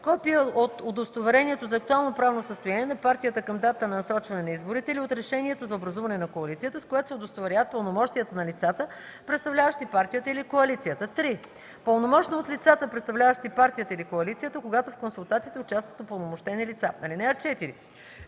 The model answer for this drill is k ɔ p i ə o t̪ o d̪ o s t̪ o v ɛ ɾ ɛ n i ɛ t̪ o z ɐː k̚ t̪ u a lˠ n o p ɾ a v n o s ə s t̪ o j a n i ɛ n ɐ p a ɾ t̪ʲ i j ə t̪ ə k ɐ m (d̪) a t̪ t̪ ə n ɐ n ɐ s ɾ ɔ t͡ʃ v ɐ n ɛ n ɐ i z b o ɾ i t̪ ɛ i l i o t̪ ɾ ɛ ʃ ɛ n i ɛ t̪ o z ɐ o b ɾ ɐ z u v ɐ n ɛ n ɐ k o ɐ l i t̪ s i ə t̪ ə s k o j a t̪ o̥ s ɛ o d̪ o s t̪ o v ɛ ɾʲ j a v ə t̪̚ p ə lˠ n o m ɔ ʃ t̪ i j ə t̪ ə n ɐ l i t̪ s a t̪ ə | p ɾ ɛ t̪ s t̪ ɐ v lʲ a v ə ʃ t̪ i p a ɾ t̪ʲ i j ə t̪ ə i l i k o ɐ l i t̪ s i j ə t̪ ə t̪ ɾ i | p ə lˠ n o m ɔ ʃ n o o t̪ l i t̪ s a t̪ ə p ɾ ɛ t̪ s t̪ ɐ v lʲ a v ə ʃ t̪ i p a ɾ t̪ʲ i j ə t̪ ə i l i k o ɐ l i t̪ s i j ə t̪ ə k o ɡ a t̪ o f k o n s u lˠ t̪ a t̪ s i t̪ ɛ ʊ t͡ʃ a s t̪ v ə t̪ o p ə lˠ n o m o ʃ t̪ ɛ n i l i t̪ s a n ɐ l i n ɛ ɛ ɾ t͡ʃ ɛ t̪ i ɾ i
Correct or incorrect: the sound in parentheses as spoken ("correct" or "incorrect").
correct